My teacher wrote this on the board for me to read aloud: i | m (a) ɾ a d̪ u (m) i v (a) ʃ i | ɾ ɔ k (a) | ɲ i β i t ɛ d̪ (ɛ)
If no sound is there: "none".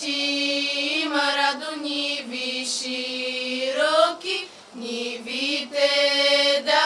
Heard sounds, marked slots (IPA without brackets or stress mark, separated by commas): a, ɲ, i, i, a